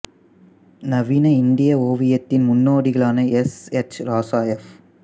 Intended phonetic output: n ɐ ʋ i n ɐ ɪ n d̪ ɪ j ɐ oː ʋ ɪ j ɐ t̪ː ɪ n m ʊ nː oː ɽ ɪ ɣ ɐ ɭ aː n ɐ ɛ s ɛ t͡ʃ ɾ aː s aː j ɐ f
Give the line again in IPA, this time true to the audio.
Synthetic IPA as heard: n ɐ ʋ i n ɐ ɪ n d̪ ɪ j ɐ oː ʋ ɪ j ɐ t̪ː ɪ n m ʊ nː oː ɽ ɪ ɣ ɐ ɭ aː n ɐ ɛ s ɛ t͡ʃ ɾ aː s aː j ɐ f

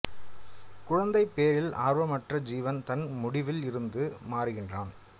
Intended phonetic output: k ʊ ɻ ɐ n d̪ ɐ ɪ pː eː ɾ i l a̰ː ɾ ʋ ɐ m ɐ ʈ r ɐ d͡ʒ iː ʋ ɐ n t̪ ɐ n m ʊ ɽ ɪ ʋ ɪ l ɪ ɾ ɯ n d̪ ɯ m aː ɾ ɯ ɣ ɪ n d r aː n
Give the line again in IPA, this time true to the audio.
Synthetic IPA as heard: k ʊ ɻ ɐ n d̪ ɐ ɪ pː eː ɾ ɪ l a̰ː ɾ ʋ ɐ m ɐ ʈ r ɐ d͡ʒ iː ʋ ɐ n t̪ ɐ n m ʊ ɽ ɪ ʋ ɪ l ɪ ɾ ɯ n d̪ ɯ m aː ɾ ɯ ɣ ɪ n d r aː n

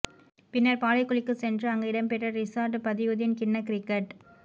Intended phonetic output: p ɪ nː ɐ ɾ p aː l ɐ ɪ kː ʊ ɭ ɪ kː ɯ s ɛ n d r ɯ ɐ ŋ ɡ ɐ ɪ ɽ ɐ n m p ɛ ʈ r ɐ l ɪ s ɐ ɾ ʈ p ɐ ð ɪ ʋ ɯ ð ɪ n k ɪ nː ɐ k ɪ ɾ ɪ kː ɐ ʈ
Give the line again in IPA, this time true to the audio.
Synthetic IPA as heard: p ɪ nː ɐ ɾ p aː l ɐ ɪ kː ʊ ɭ ɪ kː ɯ s ɛ n d r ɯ ɐ ŋ ɡ ɐ ɪ ɽ ɐ m p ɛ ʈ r ɐ ɾ ɪ s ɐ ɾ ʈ p ɐ ð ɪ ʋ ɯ ð ɪ n k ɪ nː ɐ k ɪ ɾ ɪ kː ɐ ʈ

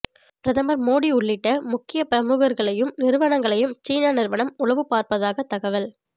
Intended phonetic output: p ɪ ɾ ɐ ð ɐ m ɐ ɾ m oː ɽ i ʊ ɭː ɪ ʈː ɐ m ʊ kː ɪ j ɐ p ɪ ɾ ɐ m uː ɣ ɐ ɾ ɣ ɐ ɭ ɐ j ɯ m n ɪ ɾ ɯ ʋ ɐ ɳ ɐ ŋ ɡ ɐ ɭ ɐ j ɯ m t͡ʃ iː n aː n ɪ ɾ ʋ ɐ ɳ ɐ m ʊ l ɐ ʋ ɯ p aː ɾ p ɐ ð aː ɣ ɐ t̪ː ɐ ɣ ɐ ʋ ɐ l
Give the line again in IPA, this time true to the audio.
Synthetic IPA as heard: p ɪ ɾ ɐ ð ɐ m ɐ ɾ m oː ɽ i ʊ ɭː ɪ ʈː ɐ m ʊ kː ɪ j ɐ p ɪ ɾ ɐ m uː ɣ ɐ ɾ ɣ ɐ ɭ ɐ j ɯ m n ɪ ɾ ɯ ʋ ɐ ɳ ɐ ŋ ɡ ɐ ɭ ɐ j ɯ m t͡ʃ iː n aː n ɪ ɾ ʋ ɐ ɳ ɐ m ʊ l ɐ ʋ ɯ p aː ɾ p ɐ ð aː ɣ ɐ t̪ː ɐ ɣ ɐ ʋ ɐ l

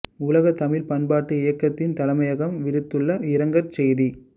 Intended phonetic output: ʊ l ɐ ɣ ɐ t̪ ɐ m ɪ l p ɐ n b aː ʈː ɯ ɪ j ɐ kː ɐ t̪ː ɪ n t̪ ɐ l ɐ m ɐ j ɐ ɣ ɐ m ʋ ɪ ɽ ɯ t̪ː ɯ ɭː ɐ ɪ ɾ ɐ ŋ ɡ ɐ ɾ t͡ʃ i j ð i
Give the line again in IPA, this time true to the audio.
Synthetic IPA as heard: ʊ l ɐ ɣ ɐ t̪ ɐ m ɪ l p ɐ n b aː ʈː ɯ ɪ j ɐ kː ɐ t̪ː ɪ n t̪ ɐ l ɐ m ɐ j ɐ ɣ ɐ m ʋ ɪ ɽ ɯ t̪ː ɯ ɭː ɐ ɪ ɾ ɐ ŋ ɡ ɐ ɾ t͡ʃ ɛ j ð i

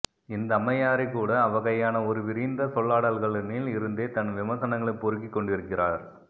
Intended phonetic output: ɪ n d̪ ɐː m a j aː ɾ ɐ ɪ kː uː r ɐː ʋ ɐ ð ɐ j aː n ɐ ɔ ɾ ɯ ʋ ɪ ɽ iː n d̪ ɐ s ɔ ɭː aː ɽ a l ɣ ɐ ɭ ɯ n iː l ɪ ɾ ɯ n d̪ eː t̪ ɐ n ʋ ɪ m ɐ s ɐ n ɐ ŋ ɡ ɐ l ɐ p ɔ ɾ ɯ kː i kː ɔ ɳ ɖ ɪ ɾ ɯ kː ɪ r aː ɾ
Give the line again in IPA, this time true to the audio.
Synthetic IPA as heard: ɪ n d̪ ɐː m ɐ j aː ɾ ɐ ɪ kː uː ɽ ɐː ʋ ɐ ɣ ɐ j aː n ɐ ɔ ɾ ɯ ʋ ɪ ɾ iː n d̪ ɐ s ɔ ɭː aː ɽ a l ɣ ɐ ɭ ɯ n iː l ɪ ɾ ɯ n d̪ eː t̪ ɐ n ʋ ɪ m ɐ s ɐ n ɐ ŋ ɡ ɐ ɭ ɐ p ɔ ɾ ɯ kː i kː ɔ ɳ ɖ ɪ ɾ ɯ kː ɪ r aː ɾ

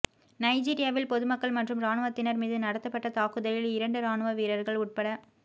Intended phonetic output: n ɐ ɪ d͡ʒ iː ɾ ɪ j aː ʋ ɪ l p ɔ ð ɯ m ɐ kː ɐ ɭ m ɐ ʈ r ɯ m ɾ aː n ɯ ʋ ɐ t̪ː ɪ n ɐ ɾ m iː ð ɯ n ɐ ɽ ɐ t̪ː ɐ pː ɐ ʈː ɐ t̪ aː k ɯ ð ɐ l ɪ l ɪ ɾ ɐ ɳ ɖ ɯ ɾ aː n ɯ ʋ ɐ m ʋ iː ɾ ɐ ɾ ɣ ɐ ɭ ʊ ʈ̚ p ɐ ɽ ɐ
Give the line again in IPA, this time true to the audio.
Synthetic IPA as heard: n ɐ ɪ d͡ʒ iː ɾ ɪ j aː ʋ ɪ l p ɔ ð ɯ m ɐ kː ɐ ɭ m ɐ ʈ r ɯ m ɾ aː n ɯ ʋ ɐ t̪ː ɪ n ɐ ɾ m iː ð ɯ n ɐ ɽ ɐ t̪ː ɐ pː ɐ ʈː ɐ t̪ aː k ɯ ð ɐ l ɪ l ɪ ɾ ɐ ɳ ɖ ɯ ɾ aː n ɯ ʋ ɐ ʋ iː ɾ ɐ ɾ ɣ ɐ ɭ ʊ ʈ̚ p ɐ ɽ ɐ

